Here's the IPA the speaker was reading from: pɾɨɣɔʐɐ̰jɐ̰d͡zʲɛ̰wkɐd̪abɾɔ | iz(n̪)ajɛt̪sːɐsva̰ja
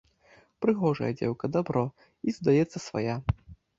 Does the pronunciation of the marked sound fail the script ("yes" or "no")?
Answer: yes